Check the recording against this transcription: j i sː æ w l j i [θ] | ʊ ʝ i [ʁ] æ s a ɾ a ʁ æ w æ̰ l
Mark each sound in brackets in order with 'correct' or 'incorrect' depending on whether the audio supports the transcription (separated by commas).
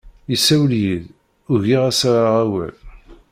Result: incorrect, correct